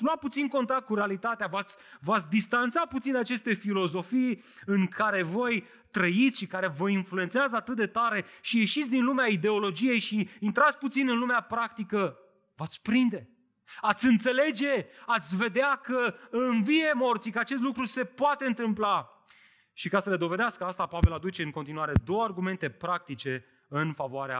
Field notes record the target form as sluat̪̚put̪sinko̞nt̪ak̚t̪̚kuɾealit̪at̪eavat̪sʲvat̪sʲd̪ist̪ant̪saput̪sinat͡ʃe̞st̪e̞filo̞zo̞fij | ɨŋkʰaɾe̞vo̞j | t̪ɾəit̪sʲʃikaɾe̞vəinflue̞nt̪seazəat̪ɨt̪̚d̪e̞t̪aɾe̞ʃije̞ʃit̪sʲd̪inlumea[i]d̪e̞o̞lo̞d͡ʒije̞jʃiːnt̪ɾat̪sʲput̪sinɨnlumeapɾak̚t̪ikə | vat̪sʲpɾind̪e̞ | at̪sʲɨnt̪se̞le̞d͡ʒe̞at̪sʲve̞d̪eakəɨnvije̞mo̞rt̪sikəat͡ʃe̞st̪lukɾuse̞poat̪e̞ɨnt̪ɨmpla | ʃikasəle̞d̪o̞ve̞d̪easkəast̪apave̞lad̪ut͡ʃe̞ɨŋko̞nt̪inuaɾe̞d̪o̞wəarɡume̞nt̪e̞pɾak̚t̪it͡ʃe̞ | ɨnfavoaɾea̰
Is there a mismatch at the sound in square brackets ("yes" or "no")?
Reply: no